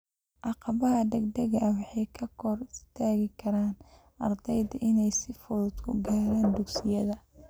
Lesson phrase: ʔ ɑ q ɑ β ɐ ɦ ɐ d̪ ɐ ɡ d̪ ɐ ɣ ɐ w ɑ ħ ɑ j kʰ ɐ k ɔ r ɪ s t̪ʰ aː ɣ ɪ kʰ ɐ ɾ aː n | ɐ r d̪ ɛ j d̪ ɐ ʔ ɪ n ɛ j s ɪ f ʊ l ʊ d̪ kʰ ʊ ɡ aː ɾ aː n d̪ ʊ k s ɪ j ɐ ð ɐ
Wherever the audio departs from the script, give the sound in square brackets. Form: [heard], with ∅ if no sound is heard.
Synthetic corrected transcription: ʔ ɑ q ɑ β ɐ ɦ ɐ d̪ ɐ ɡ d̪ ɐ ɣ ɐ w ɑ ħ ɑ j kʰ ɐ [kʰ] ɔ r ɪ s t̪ʰ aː ɣ ɪ kʰ ɐ ɾ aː n | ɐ r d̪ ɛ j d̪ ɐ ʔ ɪ n ɛ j s ɪ f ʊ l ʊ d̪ kʰ ʊ ɡ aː ɾ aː n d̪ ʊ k s ɪ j ɐ ð ɐ